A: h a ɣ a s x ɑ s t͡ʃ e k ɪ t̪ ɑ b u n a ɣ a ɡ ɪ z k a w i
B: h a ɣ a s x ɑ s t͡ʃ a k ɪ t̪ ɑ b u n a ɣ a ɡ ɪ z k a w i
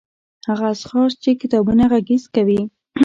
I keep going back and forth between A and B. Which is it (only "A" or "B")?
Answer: A